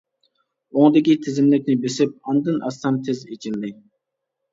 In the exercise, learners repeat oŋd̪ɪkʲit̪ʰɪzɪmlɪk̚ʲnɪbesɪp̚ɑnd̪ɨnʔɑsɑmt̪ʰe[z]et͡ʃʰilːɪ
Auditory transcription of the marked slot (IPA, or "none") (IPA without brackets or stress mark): z